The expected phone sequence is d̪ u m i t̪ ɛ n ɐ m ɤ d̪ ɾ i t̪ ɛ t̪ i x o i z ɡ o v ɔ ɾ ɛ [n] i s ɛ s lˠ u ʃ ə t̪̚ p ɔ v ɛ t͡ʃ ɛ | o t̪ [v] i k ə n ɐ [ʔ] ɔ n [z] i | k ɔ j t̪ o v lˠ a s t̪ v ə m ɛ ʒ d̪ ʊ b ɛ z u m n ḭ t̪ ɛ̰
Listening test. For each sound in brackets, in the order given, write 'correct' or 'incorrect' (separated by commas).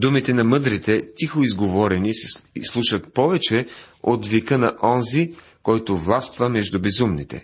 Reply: correct, correct, correct, correct